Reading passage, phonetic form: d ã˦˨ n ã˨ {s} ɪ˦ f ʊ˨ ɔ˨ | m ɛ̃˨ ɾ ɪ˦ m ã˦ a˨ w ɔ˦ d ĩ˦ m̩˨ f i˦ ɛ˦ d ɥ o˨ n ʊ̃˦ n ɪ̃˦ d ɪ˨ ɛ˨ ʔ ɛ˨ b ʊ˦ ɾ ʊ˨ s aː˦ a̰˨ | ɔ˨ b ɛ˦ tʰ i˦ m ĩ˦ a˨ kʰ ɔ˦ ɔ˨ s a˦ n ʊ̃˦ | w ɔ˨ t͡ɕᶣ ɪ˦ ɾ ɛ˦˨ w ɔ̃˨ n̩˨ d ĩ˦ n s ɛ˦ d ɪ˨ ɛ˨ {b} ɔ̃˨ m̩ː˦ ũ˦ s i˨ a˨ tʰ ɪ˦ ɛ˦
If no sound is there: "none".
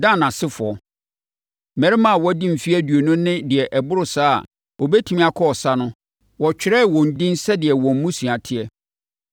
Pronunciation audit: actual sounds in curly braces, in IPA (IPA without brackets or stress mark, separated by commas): s, w